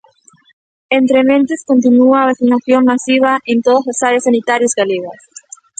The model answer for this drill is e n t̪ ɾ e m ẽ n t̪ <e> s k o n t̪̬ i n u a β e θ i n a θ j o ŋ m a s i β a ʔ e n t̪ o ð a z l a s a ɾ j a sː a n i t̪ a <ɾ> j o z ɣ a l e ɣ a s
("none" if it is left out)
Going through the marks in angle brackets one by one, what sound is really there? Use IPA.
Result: e, ɾ

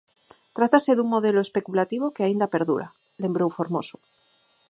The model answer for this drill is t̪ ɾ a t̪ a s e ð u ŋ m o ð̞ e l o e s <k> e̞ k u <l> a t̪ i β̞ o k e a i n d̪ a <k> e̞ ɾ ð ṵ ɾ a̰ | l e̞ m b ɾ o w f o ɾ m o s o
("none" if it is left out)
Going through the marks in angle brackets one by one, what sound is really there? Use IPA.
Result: p, l, p

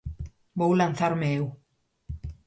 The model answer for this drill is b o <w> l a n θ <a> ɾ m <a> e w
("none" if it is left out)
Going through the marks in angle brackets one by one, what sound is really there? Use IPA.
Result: w, a, e

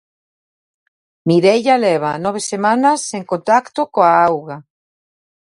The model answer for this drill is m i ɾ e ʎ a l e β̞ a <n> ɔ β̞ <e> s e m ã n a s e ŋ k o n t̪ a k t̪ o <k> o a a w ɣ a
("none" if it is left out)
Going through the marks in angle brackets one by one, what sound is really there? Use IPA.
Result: n, e, k

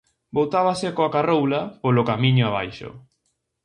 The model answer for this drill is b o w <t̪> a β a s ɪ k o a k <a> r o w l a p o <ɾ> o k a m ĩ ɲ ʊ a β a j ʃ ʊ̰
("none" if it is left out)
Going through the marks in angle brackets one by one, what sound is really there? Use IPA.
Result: t̪, a, l

